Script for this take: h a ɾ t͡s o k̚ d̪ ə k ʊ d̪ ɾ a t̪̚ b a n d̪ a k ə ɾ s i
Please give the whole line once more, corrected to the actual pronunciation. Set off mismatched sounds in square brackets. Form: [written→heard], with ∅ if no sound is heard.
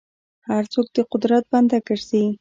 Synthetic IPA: h a ɾ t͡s o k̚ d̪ ə [k→q] ʊ d̪ ɾ a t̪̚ b a n d̪ a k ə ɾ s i